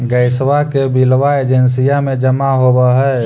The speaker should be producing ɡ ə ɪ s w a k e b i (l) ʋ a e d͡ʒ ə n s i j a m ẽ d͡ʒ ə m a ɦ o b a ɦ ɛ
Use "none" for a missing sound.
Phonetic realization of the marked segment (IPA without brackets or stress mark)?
l